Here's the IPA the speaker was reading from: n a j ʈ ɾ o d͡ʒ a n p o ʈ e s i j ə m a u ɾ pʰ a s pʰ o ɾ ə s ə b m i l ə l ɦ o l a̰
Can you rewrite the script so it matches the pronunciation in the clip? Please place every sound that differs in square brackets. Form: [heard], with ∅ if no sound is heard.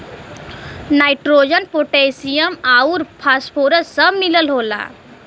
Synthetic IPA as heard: n a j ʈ ɾ o d͡ʒ [ə] n p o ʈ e s i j ə m a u ɾ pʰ a s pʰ o ɾ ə s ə b m i l ə l ɦ o l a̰